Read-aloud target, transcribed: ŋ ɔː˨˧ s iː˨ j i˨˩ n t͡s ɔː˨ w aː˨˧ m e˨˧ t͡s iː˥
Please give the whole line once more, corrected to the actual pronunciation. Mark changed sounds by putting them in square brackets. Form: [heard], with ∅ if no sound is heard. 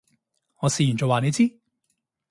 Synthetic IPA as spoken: ŋ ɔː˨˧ s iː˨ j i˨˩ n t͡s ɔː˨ w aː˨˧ [n] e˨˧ t͡s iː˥